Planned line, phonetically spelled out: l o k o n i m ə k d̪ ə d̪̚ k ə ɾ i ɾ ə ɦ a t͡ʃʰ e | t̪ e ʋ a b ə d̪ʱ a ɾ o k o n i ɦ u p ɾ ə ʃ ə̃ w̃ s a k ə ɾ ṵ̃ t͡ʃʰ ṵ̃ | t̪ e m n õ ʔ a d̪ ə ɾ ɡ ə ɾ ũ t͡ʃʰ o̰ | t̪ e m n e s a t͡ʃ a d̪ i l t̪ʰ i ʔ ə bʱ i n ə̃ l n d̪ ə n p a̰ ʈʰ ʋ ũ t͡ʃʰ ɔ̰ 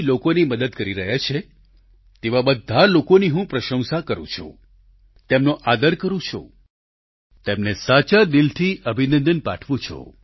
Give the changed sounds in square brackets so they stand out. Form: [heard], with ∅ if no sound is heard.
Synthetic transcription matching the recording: l o k o n i m ə [∅] d̪ ə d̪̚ k ə ɾ i ɾ ə ɦ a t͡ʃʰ e | t̪ e ʋ a b ə d̪ʱ a [l] o k o n i ɦ [ũ] p ɾ ə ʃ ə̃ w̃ s a k ə ɾ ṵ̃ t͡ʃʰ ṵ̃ | t̪ e m n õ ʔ a d̪ ə ɾ [k] ə ɾ ũ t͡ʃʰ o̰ | t̪ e m n e s a t͡ʃ a d̪ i l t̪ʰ i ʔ ə bʱ i n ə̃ [∅] n d̪ ə n p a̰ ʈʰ ʋ ũ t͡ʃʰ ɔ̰